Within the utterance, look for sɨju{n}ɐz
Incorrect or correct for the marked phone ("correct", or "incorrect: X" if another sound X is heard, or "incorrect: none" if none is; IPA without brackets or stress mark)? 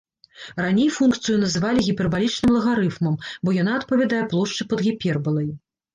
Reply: correct